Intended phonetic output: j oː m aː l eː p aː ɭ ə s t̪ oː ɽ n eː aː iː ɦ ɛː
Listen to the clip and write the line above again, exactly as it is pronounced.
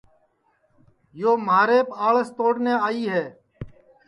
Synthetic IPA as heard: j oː m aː ɾ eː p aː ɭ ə s t̪ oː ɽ n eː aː iː ɦ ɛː